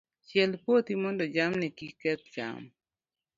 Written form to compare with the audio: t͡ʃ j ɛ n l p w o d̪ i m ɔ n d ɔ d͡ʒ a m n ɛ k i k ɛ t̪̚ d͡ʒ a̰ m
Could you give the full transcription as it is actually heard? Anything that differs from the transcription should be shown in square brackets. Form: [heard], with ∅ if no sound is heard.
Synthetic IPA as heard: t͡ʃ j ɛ [∅] l p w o [t̪] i m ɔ n d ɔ d͡ʒ a m n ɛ k i k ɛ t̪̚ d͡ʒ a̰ m